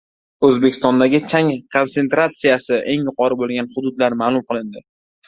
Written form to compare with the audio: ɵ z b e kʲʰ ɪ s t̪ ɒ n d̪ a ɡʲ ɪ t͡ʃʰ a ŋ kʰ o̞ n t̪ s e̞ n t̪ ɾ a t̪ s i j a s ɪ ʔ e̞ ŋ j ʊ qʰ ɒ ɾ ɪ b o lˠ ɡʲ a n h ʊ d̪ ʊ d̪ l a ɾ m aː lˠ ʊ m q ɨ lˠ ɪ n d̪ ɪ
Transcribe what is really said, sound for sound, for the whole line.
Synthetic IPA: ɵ z b e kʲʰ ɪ s t̪ ɒ n d̪ a ɡʲ ɪ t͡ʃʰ a ŋ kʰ o̞ n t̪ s e̞ n t̪ ɾ a t̪ s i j a s ɪ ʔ e̞ ŋ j ʊ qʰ ɒ ɾ ɪ b o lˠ ɡʲ a n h ʊ d̪ ʊ d̪ l a ɾ m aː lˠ ʊ m q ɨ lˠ ɪ n d̪ ɪ